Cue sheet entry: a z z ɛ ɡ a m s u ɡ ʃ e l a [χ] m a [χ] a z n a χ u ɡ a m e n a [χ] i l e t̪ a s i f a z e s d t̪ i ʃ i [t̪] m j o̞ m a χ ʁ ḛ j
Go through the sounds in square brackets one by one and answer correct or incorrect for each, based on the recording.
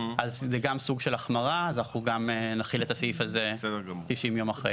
correct, incorrect, correct, incorrect

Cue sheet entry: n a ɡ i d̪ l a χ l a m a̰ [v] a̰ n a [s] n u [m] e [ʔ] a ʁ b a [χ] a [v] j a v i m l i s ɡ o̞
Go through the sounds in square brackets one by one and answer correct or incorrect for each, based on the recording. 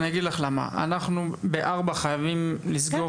incorrect, incorrect, incorrect, correct, correct, incorrect

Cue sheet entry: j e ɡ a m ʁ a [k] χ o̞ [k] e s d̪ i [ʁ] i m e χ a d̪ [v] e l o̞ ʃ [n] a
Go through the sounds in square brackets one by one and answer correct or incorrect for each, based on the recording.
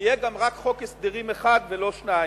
correct, correct, correct, correct, correct

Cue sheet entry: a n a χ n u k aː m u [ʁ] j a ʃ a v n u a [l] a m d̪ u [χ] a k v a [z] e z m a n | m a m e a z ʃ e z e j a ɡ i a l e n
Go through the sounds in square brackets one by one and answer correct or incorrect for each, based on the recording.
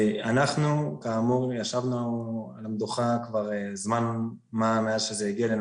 correct, correct, correct, incorrect

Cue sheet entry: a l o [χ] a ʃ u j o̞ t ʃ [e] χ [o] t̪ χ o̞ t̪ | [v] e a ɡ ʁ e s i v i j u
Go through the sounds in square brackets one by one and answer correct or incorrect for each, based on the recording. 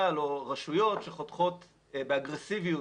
incorrect, correct, correct, incorrect

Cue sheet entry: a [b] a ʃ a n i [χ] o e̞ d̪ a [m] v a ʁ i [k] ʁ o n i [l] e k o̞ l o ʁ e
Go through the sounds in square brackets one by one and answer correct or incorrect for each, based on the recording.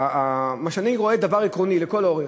incorrect, incorrect, incorrect, correct, correct

